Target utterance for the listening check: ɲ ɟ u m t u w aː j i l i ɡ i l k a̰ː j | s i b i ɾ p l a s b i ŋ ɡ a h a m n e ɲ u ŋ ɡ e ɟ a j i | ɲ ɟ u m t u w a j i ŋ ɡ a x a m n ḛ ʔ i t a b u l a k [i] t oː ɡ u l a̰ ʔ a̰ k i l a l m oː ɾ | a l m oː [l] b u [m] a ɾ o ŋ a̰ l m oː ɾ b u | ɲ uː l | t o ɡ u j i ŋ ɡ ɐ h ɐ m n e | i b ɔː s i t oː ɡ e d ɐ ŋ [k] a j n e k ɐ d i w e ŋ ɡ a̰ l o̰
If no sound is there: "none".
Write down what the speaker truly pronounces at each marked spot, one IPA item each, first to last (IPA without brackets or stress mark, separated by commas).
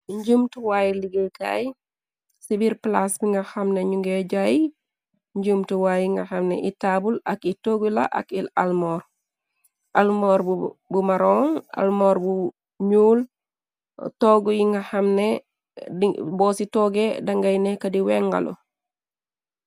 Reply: i, ɾ, m, ɡ